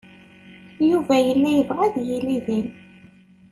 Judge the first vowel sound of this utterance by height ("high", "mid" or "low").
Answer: high